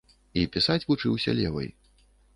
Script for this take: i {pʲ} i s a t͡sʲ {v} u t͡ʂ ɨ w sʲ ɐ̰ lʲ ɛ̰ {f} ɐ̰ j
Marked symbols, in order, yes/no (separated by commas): yes, yes, no